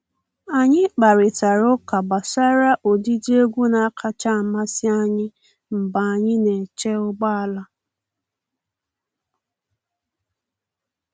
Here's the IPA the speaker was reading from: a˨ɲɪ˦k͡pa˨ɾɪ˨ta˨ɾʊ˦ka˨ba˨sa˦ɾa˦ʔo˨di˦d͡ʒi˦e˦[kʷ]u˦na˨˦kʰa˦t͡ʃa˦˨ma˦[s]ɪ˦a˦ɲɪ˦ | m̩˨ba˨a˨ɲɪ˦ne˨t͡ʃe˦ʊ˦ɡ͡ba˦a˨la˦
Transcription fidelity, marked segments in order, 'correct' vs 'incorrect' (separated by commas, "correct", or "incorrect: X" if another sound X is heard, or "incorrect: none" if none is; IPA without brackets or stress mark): incorrect: ɡʷ, correct